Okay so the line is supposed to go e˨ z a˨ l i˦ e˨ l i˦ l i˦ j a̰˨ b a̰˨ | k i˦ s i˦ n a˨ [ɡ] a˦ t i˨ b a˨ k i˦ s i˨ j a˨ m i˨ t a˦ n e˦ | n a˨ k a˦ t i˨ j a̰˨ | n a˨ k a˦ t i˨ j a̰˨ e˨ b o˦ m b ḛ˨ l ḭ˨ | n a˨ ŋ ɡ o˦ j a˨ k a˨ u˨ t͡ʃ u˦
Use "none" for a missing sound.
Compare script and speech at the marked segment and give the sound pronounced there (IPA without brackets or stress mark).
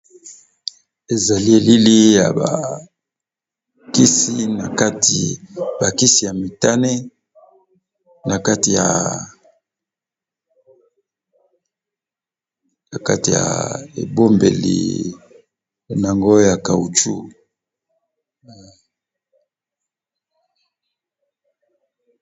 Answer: k